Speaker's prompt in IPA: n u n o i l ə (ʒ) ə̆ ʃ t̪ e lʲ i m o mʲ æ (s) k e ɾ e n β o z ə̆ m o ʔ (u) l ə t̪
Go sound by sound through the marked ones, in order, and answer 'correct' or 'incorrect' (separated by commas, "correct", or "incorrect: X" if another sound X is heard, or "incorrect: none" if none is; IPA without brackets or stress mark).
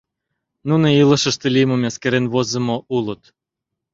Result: incorrect: ʃ, correct, correct